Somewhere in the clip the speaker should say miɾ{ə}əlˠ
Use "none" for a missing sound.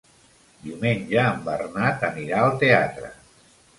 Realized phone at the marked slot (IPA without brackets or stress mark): a